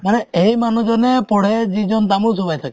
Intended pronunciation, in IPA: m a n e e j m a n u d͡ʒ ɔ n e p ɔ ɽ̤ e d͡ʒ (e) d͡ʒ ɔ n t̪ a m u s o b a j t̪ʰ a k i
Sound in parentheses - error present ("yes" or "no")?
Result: yes